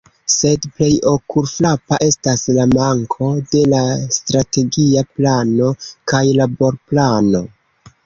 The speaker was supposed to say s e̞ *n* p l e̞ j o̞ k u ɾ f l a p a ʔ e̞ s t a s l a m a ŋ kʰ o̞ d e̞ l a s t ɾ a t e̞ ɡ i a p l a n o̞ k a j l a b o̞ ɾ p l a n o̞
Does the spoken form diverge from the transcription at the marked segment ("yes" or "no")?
yes